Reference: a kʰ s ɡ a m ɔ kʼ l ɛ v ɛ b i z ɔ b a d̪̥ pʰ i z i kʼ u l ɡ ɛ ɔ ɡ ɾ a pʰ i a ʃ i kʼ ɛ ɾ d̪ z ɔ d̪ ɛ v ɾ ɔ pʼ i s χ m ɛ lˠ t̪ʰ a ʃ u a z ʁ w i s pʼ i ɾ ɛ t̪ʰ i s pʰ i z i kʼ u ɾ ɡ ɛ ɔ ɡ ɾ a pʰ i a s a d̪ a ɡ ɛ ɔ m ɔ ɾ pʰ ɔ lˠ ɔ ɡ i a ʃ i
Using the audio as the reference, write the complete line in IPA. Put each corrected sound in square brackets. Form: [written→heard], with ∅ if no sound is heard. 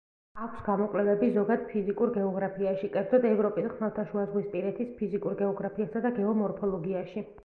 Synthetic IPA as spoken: a kʰ s ɡ a m ɔ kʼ l ɛ v ɛ b i z ɔ [b→ɡ] a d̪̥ pʰ i z i kʼ u [l→ɾ] ɡ ɛ ɔ ɡ ɾ a pʰ i a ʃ i kʼ ɛ ɾ d̪ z ɔ d̪ ɛ v ɾ ɔ pʼ i s χ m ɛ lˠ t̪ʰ a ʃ u a z ʁ w i s pʼ i ɾ ɛ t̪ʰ i s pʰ i z i kʼ u ɾ ɡ ɛ ɔ ɡ ɾ a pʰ i a s a d̪ a ɡ ɛ ɔ m ɔ ɾ pʰ ɔ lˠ ɔ ɡ i a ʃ i